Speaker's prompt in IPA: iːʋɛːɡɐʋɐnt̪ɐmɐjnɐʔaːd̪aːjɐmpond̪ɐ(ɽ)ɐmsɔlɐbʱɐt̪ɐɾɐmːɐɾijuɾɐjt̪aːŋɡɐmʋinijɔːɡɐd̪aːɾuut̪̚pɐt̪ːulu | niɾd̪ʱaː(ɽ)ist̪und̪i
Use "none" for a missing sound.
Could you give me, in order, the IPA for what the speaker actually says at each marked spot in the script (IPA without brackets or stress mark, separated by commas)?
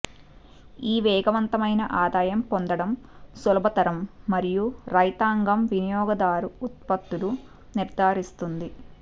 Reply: ɽ, ɾ